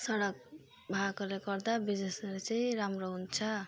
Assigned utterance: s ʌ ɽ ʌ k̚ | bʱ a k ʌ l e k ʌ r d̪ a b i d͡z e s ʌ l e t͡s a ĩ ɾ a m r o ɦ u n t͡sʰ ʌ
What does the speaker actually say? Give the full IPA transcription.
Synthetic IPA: s ʌ ɽ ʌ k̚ | bʱ a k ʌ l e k ʌ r d̪ a b i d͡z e s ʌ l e t͡s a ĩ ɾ a m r o ɦ u n t͡sʰ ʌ